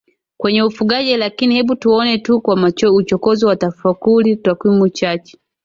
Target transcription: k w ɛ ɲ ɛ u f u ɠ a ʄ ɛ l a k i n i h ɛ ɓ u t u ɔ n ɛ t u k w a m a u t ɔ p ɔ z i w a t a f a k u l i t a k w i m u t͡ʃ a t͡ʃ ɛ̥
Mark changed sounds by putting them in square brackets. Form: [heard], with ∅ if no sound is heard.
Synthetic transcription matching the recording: k w ɛ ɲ ɛ u f u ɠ a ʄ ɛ l a k i n i h ɛ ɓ u t u ɔ n ɛ t u k w a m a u [t͡ʃ] ɔ [k] ɔ z i w a t a f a k u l i t a k w i m u t͡ʃ a t͡ʃ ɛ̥